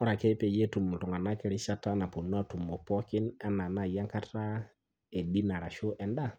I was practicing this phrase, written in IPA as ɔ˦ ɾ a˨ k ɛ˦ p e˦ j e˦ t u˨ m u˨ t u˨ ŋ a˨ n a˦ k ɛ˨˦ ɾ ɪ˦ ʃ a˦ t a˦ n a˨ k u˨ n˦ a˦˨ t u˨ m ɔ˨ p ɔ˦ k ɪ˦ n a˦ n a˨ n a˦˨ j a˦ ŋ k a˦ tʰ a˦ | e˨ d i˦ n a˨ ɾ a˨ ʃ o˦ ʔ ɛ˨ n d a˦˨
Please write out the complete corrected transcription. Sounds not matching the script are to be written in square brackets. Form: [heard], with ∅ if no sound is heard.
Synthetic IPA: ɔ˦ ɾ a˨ k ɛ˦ p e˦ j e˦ t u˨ m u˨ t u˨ ŋ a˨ n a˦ k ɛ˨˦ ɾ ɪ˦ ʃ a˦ t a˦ n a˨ [p] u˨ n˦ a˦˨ t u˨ m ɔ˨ p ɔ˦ k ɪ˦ n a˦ n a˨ n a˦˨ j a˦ ŋ k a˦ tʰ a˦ | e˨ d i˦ n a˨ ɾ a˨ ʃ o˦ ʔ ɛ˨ n d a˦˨